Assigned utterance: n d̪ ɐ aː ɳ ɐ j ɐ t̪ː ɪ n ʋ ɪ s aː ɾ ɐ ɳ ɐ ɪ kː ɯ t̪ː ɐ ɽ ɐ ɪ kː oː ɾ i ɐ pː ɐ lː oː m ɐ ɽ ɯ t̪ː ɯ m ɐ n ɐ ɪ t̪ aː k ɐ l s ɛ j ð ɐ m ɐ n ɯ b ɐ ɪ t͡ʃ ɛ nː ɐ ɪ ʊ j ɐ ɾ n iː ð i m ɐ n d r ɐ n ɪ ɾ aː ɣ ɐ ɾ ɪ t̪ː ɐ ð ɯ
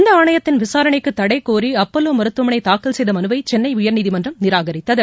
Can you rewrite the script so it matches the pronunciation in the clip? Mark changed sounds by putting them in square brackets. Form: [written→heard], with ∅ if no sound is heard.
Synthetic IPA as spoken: n d̪ ɐ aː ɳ ɐ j ɐ t̪ː ɪ n ʋ ɪ s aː ɾ ɐ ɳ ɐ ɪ kː ɯ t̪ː ɐ ɽ ɐ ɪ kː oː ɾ i ɐ pː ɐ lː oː m ɐ [ɽ→ɾ] ɯ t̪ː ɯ m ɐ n ɐ ɪ t̪ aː k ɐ l s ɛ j ð ɐ m ɐ n ɯ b ɐ ɪ t͡ʃ ɛ nː ɐ ɪ ʊ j ɐ ɾ n iː ð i m ɐ n d r ɐ n ɪ ɾ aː ɣ ɐ ɾ ɪ t̪ː ɐ ð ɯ

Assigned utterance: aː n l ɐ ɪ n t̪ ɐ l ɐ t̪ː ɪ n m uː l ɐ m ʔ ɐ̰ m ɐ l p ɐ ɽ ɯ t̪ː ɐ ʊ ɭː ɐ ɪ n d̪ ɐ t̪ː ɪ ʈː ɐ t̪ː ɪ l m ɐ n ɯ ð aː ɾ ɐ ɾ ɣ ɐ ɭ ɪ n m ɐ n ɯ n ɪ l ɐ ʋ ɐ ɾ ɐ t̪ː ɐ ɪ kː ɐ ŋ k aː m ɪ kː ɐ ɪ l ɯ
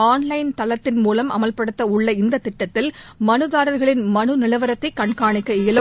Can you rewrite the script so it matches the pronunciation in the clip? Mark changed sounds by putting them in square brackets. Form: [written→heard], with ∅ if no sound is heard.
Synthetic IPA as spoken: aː n l ɐ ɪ n t̪ ɐ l ɐ t̪ː ɪ n m uː l ɐ m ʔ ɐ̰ m ɐ l p ɐ ɽ ɯ t̪ː ɐ ʊ ɭː ɐ ɪ n d̪ ɐ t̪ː ɪ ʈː ɐ t̪ː ɪ l m ɐ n ɯ ð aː ɾ ɐ ɾ ɣ ɐ ɭ ɪ n m ɐ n ɯ n ɪ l ɐ ʋ ɐ ɾ ɐ t̪ː ɐ ɪ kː ɐ [ŋ→ɳ] k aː [m→ɳ] ɪ kː ɐ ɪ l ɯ

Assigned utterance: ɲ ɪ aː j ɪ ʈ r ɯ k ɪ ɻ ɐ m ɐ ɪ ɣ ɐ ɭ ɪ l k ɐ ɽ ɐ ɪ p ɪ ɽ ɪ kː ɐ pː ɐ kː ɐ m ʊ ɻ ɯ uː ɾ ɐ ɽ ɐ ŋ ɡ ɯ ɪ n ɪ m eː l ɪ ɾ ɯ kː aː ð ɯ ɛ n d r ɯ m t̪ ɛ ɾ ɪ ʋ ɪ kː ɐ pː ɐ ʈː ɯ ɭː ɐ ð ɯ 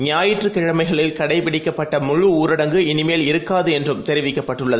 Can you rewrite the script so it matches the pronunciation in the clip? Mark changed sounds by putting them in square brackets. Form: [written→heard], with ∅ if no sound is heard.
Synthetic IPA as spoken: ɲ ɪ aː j ɪ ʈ r ɯ k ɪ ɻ ɐ m ɐ ɪ ɣ ɐ ɭ ɪ l k ɐ ɽ ɐ ɪ p ɪ ɽ ɪ kː ɐ pː ɐ [kː→ʈː] ɐ m ʊ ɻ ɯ uː ɾ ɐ ɽ ɐ ŋ ɡ ɯ ɪ n ɪ m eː l ɪ ɾ ɯ kː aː ð ɯ ɛ n d r ɯ m t̪ ɛ ɾ ɪ ʋ ɪ kː ɐ pː ɐ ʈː ɯ ɭː ɐ ð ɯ

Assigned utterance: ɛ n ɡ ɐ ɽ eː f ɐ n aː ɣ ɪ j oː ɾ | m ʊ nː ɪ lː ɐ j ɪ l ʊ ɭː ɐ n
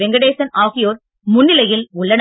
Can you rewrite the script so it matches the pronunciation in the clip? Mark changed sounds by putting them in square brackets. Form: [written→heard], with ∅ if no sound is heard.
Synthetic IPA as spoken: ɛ [n→ŋ] ɡ ɐ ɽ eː [f→s] ɐ n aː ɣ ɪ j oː ɾ | m ʊ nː ɪ [lː→l] ɐ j ɪ l ʊ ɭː ɐ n

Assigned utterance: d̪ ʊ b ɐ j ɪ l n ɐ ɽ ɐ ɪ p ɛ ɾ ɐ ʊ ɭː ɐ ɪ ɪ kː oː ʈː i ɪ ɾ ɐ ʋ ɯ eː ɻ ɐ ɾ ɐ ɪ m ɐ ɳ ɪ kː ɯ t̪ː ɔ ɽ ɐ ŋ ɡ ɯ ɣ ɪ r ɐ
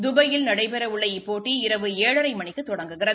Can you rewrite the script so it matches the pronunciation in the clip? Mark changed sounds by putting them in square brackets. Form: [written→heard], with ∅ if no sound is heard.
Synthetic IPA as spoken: d̪ ʊ b ɐ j ɪ l n ɐ ɽ ɐ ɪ p ɛ ɾ ɐ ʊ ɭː ɐ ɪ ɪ [kː→pː] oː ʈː i ɪ ɾ ɐ ʋ ɯ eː ɻ ɐ ɾ ɐ ɪ m ɐ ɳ ɪ kː ɯ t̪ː ɔ ɽ ɐ ŋ ɡ ɯ ɣ ɪ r ɐ

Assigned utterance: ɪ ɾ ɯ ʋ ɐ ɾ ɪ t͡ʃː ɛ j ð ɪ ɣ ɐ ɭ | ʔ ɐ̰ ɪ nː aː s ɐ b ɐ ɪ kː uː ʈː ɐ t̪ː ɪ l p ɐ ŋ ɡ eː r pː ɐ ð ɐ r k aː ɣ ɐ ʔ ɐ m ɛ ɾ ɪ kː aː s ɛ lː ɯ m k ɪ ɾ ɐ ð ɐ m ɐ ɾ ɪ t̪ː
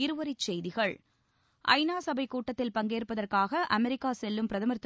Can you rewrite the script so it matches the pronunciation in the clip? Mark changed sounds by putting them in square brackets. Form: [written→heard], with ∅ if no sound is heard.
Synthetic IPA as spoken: ɪ ɾ ɯ ʋ ɐ ɾ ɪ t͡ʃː ɛ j ð ɪ ɣ ɐ ɭ | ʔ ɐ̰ ɪ [nː→n] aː s ɐ b ɐ ɪ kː uː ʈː ɐ t̪ː ɪ l p ɐ ŋ ɡ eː r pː ɐ ð ɐ r k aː ɣ ɐ ʔ ɐ m ɛ ɾ ɪ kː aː s ɛ lː ɯ m [k→p] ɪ ɾ ɐ ð ɐ m ɐ ɾ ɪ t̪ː

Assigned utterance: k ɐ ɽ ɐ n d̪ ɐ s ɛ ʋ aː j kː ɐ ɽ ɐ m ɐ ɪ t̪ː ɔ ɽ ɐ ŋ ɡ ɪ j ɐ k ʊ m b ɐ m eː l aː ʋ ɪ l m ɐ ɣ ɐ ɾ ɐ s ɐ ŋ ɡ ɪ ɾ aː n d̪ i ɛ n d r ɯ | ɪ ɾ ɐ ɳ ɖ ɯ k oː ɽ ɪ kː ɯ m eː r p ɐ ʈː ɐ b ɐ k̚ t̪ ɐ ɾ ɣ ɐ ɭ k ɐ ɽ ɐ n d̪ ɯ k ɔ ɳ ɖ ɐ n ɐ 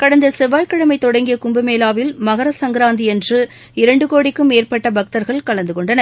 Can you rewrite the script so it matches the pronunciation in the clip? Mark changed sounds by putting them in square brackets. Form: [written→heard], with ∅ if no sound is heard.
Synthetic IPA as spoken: k ɐ ɽ ɐ n d̪ ɐ s ɛ ʋ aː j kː ɐ ɽ ɐ m ɐ ɪ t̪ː ɔ ɽ ɐ ŋ ɡ ɪ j ɐ k ʊ m b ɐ m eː l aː ʋ ɪ l m ɐ ɣ ɐ ɾ ɐ s ɐ ŋ ɡ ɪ ɾ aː n d̪ i ɛ n d r ɯ | ɪ ɾ ɐ ɳ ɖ ɯ k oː ɽ ɪ kː ɯ m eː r p ɐ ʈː ɐ b ɐ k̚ t̪ ɐ ɾ ɣ ɐ ɭ k ɐ [ɽ→ɭ] ɐ n d̪ ɯ k ɔ ɳ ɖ ɐ n ɐ

